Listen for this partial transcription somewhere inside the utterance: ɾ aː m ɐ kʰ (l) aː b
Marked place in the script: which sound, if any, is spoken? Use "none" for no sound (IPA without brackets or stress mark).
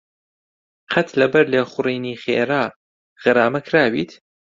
ɾ